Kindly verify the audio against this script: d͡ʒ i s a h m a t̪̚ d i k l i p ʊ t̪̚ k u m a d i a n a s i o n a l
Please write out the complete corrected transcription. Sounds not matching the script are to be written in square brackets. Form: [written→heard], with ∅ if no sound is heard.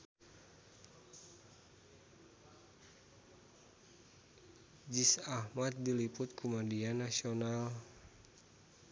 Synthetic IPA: d͡ʒ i s a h m a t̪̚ d i [k→∅] l i p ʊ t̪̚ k u m a d i a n a s i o n a l